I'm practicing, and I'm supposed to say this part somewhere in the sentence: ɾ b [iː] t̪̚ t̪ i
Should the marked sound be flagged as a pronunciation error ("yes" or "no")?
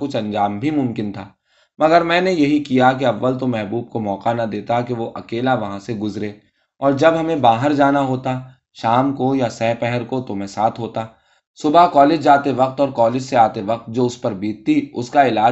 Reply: no